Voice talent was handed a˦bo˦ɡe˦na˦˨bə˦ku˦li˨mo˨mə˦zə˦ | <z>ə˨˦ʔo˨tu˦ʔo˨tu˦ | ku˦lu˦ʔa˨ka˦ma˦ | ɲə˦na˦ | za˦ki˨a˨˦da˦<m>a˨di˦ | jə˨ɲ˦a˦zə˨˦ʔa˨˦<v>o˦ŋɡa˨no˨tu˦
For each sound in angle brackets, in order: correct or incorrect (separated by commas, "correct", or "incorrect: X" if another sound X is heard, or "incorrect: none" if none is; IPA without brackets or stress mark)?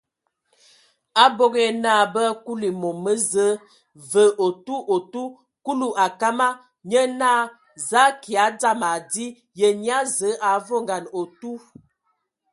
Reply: incorrect: v, correct, correct